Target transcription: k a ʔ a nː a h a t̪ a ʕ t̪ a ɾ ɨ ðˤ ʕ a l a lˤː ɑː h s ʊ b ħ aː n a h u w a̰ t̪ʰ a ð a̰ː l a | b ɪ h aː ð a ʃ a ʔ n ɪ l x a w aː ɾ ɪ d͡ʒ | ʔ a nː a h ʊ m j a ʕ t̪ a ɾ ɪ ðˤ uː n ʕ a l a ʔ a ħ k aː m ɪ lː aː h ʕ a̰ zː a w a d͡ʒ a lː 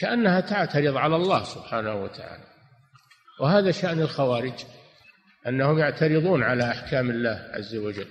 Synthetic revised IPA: k a ʔ a nː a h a t̪ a ʕ t̪ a ɾ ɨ ðˤ ʕ a l a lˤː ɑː h s ʊ b ħ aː n a h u w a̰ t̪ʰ a ʕ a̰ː l a | w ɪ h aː ð a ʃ a ʔ n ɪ l x a w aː ɾ ɪ d͡ʒ | ʔ a nː a h ʊ m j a ʕ t̪ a ɾ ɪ ðˤ uː n ʕ a l a ʔ a ħ k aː m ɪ lː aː h ʕ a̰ zː a w a d͡ʒ a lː